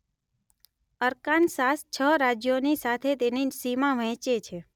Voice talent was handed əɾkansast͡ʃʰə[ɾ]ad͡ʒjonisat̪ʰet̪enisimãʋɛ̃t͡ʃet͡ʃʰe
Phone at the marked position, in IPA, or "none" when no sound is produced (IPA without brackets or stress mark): ɾ